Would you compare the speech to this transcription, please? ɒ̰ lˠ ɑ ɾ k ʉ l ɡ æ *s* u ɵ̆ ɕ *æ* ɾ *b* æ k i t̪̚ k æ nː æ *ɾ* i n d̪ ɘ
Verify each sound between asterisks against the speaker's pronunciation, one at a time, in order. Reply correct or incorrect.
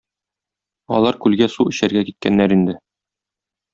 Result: correct, correct, incorrect, correct

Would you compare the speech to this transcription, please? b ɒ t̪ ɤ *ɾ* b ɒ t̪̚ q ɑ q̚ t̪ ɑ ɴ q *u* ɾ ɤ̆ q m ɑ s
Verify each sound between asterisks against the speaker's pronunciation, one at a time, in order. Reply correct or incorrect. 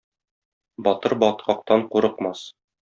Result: correct, correct

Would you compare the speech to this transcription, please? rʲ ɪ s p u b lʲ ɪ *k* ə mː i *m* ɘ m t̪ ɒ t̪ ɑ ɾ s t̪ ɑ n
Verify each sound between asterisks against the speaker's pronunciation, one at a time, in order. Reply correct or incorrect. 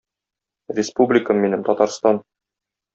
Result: correct, incorrect

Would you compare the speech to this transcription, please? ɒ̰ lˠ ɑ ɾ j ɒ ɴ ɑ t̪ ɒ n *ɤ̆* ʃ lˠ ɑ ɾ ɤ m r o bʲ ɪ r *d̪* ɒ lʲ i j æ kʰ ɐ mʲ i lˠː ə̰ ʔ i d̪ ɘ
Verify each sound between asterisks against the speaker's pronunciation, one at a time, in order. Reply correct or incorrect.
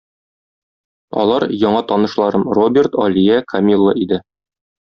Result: correct, incorrect

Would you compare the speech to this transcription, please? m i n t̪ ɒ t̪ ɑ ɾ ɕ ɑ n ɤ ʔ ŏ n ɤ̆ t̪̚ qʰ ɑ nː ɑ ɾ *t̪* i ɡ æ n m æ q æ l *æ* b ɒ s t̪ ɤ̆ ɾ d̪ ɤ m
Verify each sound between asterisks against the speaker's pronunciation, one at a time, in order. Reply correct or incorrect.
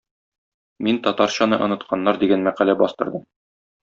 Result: incorrect, correct

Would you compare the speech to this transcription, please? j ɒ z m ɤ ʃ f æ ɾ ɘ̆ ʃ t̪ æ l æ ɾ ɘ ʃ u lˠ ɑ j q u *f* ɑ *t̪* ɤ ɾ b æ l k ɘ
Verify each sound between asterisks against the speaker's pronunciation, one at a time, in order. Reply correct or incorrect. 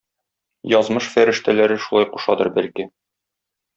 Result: incorrect, incorrect

